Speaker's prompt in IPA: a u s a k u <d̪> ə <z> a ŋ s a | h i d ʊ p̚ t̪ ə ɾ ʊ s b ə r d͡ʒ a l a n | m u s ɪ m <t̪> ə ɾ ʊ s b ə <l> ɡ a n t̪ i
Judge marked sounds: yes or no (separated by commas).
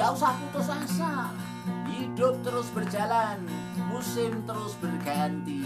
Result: no, no, yes, no